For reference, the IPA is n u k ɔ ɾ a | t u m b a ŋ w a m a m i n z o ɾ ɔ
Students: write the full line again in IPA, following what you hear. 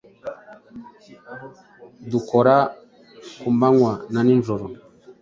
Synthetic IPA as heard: d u k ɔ ɾ a | k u m b a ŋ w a n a n i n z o ɾ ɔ